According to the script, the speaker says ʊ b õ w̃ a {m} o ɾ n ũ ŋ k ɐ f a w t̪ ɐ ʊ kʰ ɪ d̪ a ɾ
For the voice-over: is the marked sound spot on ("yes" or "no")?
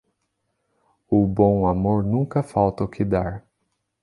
yes